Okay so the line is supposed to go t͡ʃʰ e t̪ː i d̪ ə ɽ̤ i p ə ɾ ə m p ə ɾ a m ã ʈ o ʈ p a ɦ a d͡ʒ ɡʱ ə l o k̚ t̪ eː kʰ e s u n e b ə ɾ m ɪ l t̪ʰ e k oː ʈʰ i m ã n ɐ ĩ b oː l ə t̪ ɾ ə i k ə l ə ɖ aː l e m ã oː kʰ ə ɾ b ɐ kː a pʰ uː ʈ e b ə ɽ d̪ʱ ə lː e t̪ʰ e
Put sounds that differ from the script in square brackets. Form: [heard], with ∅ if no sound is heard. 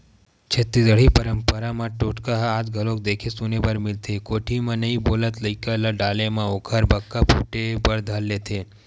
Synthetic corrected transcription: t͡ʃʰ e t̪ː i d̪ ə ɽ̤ i p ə ɾ ə m p ə ɾ a m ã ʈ o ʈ [k] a ɦ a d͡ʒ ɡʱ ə l o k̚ [d̪] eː kʰ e s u n e b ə ɾ m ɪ l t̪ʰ e k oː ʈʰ i m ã n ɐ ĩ b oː l ə t̪ [l] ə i k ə l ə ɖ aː l e m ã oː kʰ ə ɾ b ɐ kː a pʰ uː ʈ e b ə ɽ d̪ʱ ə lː e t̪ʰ e